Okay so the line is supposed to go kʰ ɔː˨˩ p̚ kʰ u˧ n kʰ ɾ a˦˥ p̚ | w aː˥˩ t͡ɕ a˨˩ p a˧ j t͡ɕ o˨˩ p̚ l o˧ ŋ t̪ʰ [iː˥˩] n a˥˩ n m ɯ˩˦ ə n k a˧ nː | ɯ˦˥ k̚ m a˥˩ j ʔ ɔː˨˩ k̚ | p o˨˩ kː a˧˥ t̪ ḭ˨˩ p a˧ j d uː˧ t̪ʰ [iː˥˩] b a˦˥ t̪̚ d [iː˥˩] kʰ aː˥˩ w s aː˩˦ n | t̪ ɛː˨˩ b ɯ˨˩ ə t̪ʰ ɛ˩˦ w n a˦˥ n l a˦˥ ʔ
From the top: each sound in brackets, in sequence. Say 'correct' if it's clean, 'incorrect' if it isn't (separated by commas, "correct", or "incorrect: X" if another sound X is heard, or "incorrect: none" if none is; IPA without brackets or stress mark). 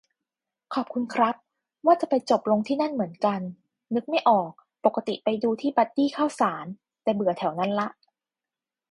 correct, correct, correct